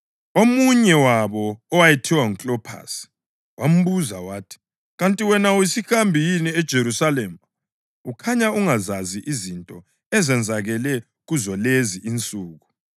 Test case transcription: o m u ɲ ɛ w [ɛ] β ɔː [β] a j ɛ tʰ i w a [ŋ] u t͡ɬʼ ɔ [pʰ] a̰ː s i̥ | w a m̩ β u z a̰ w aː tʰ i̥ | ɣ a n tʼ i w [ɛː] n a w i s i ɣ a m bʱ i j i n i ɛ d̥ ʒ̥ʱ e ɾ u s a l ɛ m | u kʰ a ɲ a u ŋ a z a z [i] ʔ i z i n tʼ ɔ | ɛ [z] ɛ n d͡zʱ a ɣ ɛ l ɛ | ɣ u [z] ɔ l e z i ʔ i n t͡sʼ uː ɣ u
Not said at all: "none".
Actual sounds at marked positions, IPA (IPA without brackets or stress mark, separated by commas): a, w, ŋ, pʰ, ɛ, i, z, z